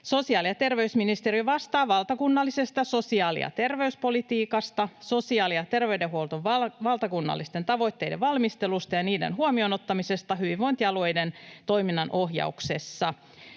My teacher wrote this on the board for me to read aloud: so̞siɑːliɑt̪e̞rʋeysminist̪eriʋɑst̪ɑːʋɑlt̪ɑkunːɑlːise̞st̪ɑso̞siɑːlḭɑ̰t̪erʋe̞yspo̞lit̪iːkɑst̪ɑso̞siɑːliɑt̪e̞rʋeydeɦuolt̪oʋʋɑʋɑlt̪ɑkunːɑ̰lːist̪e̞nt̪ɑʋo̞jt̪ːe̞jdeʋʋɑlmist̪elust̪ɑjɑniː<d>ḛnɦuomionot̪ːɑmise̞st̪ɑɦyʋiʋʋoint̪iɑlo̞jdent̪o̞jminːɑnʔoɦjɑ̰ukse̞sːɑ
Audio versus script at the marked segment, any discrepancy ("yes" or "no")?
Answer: no